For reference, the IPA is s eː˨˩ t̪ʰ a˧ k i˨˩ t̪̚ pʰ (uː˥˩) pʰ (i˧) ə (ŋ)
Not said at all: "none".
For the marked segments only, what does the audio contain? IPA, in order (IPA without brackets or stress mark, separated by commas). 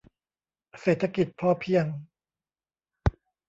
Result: ɔː˥˩, i˥˩, ŋ